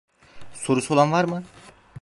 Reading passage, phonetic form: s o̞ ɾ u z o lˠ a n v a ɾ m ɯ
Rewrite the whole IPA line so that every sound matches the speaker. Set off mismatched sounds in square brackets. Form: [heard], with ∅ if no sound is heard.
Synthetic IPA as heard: s o̞ ɾ u [s] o lˠ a n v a ɾ m ɯ